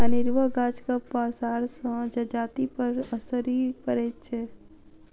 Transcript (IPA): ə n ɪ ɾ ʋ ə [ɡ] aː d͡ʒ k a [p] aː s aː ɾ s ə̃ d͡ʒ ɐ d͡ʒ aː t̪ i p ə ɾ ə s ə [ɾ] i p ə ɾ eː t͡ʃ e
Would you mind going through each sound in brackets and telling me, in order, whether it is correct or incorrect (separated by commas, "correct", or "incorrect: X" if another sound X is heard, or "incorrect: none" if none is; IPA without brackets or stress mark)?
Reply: correct, correct, correct